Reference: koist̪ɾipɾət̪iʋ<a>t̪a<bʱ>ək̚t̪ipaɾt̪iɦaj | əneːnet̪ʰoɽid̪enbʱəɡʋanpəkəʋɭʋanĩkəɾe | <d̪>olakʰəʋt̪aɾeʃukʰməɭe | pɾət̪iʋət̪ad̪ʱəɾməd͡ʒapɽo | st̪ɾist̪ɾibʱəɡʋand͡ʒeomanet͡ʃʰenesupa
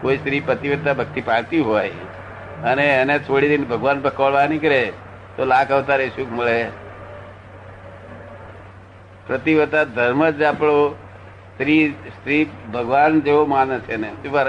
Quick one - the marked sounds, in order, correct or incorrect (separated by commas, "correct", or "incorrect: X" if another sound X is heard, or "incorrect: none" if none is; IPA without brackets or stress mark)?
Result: incorrect: ə, correct, incorrect: t̪